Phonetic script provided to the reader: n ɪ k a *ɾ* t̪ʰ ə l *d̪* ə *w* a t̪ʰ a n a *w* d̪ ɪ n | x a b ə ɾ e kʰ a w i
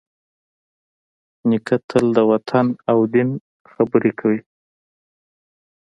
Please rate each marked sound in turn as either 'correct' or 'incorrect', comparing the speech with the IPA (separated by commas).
incorrect, correct, correct, correct